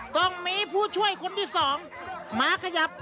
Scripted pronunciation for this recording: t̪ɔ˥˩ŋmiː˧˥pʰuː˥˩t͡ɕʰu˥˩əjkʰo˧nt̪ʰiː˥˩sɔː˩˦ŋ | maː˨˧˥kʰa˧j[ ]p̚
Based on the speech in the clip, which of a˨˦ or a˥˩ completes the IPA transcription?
a˨˦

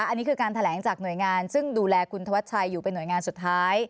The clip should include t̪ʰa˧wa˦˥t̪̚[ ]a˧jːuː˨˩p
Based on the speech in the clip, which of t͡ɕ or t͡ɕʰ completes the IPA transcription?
t͡ɕʰ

